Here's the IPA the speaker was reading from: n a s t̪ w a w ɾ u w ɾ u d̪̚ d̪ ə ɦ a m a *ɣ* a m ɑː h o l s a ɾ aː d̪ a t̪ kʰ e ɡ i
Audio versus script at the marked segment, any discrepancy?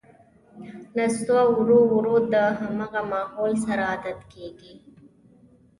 no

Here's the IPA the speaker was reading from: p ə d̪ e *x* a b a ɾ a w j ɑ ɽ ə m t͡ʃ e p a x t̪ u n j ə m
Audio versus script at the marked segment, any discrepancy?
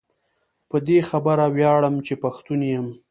no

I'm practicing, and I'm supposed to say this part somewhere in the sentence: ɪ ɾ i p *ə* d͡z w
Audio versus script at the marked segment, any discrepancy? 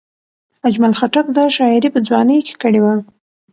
no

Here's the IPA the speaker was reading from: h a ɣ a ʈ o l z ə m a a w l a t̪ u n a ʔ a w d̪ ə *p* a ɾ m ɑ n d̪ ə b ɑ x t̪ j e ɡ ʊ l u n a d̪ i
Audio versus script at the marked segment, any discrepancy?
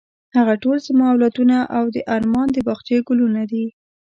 yes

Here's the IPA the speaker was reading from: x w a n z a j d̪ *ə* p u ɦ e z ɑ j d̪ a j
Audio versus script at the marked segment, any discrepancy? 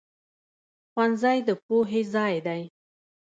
no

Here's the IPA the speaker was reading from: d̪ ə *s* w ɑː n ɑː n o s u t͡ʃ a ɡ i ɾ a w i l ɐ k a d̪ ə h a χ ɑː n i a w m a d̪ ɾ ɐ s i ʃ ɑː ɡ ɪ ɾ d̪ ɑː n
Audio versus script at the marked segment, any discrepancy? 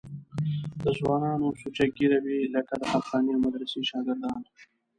yes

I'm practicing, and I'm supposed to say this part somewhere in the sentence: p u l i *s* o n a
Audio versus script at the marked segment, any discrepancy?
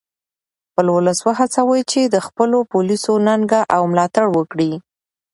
no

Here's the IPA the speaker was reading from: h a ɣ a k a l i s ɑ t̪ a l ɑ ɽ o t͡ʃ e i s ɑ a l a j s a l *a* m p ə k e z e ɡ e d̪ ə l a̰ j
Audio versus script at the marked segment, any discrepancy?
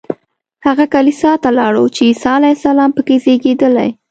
yes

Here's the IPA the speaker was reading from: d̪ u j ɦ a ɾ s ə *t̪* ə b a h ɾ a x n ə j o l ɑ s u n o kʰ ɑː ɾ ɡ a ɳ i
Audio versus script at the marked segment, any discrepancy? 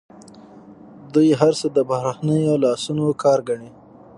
yes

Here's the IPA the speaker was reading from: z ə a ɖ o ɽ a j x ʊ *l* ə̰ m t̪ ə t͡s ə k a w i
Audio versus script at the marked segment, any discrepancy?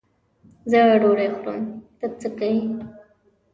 yes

